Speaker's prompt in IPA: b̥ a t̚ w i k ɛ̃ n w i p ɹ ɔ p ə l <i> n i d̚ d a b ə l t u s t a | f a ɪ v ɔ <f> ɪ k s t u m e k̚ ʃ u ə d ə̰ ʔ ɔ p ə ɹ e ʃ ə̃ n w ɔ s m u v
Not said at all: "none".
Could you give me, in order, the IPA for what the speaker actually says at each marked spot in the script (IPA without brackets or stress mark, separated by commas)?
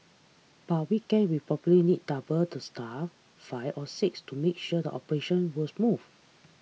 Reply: i, s